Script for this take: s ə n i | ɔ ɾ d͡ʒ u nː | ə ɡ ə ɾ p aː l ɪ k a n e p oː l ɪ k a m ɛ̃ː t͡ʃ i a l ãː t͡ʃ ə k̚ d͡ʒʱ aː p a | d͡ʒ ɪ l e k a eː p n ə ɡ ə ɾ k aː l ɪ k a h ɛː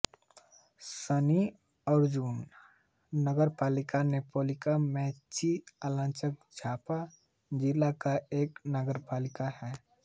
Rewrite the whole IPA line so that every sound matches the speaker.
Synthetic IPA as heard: s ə n i | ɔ ɾ d͡ʒ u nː | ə ɡ ə ɾ p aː l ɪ k a n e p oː l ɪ k a m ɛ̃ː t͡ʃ i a l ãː t͡ʃ ə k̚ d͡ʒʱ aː p a | d͡ʒ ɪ l a k a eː k n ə ɡ ə ɾ p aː l ɪ k a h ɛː

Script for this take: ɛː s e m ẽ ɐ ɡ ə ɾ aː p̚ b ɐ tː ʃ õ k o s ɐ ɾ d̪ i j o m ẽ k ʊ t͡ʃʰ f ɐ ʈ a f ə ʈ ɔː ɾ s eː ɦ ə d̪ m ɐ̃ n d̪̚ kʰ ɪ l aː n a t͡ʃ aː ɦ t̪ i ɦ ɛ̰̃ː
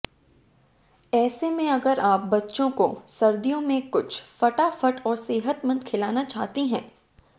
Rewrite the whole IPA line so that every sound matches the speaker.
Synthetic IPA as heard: ɛː s e m ẽ ɐ ɡ ə ɾ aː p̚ b ɐ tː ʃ õ k o s ɐ ɾ d̪ i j õ m ẽ k ʊ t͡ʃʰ f ɐ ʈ a f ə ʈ ɔː ɾ s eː ɦ ə t̪ m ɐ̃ n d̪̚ kʰ ɪ l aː n a t͡ʃ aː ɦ t̪ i ɦ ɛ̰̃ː

